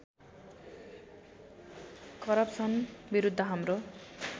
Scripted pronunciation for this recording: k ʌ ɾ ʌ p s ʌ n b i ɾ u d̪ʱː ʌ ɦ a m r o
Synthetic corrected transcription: k ʌ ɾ ʌ p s ʌ n b i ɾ u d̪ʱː ʌ ɦ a m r o